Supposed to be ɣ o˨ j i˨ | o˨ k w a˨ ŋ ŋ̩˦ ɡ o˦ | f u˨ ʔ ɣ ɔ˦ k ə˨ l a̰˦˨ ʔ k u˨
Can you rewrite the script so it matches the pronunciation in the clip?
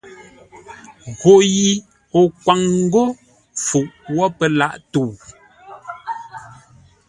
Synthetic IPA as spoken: ɣ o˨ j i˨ | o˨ k w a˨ ŋ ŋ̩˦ ɡ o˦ | f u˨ ʔ w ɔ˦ p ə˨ l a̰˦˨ ʔ t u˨